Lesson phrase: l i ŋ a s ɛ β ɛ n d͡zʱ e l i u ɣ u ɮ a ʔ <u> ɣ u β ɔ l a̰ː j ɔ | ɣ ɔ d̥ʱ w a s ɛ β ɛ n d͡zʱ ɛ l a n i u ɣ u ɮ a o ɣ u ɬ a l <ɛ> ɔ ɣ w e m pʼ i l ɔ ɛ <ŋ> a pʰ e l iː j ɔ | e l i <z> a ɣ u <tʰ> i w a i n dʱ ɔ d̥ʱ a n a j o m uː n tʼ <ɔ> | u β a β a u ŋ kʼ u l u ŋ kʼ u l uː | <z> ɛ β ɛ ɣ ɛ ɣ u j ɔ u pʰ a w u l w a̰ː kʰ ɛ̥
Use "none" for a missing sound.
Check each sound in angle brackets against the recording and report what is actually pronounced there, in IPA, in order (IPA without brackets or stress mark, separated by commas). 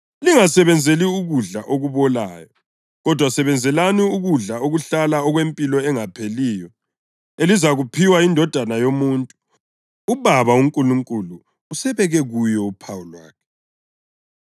o, a, ŋ, z, pʰ, u, s